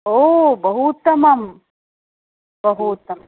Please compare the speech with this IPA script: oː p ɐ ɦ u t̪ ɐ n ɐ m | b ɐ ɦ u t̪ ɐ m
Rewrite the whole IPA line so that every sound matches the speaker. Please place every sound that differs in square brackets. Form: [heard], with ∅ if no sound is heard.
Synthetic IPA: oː [b] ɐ ɦ u t̪ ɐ [m] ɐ m | b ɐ ɦ u t̪ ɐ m